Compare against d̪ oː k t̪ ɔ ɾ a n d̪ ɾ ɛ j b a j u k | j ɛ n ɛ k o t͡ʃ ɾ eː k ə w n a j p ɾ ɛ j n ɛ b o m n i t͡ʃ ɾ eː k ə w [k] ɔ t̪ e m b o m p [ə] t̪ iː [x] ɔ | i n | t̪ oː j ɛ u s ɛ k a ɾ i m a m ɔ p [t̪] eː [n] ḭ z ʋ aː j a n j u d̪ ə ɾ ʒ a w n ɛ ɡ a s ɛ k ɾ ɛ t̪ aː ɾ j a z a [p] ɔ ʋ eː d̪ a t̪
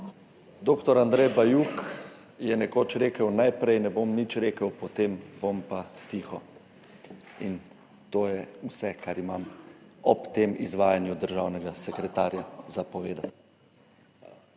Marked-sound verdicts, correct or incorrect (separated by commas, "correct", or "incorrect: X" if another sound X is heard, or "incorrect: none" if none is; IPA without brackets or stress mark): incorrect: p, incorrect: a, correct, correct, incorrect: m, correct